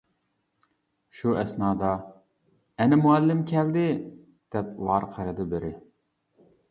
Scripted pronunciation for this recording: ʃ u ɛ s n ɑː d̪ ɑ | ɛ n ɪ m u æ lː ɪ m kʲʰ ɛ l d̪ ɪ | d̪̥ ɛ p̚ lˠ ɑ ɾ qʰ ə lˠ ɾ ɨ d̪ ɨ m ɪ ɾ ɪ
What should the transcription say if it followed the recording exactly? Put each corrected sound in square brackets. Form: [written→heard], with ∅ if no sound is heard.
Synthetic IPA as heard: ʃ u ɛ s n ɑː d̪ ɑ | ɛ n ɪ m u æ lː ɪ m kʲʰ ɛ l d̪ ɪ | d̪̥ ɛ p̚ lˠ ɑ ɾ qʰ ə [lˠ→∅] ɾ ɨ d̪ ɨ [m→b] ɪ ɾ ɪ